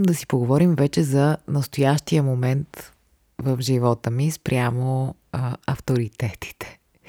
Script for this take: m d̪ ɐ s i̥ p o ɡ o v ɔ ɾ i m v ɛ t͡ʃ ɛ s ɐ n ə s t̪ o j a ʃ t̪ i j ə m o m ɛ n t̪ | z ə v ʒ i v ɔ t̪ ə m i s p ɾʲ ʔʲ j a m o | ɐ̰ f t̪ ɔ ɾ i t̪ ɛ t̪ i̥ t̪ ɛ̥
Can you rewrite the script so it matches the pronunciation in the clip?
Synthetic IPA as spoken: m d̪ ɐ s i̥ p o ɡ o v ɔ ɾ i m v ɛ t͡ʃ ɛ z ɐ n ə s t̪ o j a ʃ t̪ i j ə m o m ɛ n t̪ | v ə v ʒ i v ɔ t̪ ə m i s p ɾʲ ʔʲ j a m o | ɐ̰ f t̪ o ɾ i t̪ ɛ t̪ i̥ t̪ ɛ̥